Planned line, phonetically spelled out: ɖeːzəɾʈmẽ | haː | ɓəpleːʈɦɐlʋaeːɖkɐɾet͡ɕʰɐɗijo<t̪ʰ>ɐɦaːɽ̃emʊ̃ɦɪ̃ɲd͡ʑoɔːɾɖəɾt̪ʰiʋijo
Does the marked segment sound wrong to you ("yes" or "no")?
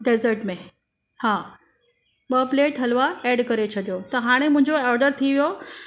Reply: yes